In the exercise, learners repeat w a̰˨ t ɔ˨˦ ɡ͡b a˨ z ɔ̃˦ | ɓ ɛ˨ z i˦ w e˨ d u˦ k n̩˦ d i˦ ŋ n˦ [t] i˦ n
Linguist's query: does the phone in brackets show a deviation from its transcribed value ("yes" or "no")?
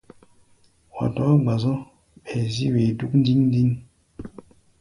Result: yes